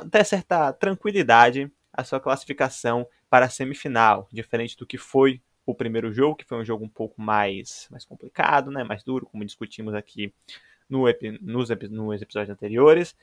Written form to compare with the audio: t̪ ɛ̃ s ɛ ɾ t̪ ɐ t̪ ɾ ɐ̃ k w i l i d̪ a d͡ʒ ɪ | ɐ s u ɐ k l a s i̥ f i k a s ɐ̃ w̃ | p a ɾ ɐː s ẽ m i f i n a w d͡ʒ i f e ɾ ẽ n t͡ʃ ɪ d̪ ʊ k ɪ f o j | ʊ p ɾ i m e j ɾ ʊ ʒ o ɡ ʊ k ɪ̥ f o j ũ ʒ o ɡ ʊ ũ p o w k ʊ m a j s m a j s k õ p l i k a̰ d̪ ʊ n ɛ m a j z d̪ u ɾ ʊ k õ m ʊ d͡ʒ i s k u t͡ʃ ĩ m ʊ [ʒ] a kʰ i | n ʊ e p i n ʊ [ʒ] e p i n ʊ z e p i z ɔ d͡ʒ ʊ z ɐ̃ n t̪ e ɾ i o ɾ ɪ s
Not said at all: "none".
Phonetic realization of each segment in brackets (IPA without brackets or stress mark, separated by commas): z, z